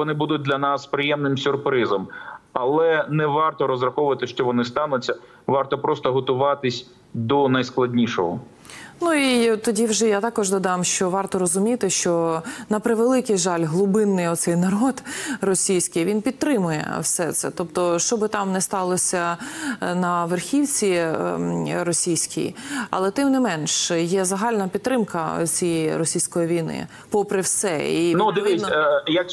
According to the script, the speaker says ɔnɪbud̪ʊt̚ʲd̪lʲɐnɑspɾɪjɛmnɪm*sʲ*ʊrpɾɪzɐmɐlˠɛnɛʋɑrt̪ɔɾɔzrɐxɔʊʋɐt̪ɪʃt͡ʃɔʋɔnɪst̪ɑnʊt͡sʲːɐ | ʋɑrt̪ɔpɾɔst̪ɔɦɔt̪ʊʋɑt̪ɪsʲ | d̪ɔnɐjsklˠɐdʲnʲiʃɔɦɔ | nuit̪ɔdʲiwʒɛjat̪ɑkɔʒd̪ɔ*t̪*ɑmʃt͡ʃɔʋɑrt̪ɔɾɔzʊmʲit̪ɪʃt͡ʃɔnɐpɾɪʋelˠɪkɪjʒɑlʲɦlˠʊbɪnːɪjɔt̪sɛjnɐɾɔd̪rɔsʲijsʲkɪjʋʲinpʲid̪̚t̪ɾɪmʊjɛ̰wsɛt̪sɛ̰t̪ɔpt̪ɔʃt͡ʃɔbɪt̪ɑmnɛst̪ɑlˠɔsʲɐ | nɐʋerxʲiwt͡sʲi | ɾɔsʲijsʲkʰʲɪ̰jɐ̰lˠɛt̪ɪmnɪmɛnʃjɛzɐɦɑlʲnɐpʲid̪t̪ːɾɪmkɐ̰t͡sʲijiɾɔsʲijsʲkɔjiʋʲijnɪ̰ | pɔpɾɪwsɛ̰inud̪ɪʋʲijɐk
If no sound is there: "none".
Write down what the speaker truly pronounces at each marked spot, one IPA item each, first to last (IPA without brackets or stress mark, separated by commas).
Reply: sʲ, d̪